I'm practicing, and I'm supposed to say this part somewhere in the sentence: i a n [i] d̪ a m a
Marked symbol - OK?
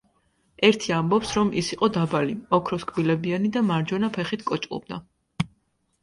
yes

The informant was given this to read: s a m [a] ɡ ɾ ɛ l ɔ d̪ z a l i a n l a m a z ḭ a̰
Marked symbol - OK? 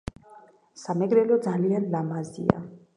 no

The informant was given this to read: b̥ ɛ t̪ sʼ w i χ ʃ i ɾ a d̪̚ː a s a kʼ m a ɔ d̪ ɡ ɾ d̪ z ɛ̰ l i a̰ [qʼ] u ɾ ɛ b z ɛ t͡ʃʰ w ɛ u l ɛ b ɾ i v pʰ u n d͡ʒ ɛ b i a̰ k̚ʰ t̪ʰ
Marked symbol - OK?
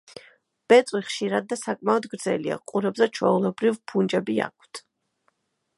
yes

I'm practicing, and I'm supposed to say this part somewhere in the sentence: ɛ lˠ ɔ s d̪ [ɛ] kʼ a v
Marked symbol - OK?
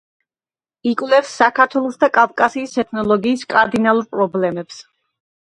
no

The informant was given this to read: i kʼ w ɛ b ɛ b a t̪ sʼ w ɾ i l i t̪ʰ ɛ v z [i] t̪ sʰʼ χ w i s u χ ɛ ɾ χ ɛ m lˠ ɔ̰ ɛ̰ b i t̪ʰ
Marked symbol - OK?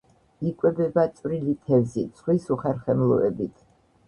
yes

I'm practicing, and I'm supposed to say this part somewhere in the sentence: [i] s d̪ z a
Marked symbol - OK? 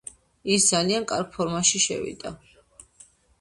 yes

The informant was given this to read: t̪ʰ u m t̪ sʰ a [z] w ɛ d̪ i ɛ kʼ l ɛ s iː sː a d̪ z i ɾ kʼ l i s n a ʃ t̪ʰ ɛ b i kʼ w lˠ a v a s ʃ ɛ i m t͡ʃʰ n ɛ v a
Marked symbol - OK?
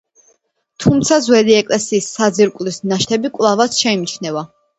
yes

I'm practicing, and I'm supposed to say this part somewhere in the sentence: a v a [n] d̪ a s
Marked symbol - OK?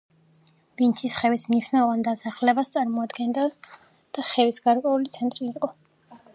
yes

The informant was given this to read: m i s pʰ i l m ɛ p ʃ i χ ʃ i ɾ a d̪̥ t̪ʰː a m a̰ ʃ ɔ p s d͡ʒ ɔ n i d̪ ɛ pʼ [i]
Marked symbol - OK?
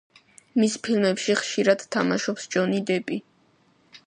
yes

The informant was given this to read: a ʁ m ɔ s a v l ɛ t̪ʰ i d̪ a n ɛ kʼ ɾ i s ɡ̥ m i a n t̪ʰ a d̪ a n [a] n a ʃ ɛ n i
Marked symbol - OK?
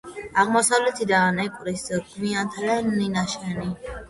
no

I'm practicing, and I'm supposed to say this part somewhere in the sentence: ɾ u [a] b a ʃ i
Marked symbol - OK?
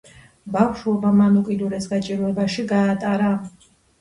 no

